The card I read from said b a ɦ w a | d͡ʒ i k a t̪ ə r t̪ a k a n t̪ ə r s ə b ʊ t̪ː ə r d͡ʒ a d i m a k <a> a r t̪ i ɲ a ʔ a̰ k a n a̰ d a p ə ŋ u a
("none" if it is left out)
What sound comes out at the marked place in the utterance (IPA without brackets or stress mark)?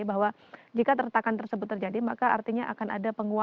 a